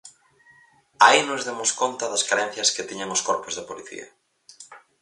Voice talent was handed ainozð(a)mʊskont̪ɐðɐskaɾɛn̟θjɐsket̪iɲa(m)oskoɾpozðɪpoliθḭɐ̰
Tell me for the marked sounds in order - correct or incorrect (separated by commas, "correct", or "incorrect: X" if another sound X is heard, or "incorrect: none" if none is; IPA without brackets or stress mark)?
incorrect: e, incorrect: ŋ